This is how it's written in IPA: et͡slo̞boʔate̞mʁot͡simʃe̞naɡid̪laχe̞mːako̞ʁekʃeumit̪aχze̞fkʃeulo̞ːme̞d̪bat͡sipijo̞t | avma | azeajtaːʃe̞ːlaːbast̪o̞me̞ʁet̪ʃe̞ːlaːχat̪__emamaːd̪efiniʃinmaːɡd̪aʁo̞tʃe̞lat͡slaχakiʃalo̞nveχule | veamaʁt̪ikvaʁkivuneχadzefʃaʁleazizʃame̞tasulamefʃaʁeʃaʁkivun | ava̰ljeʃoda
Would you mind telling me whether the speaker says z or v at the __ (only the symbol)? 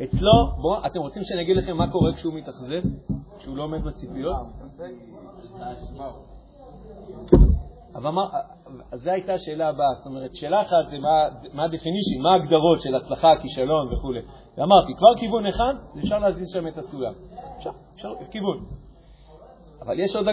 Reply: z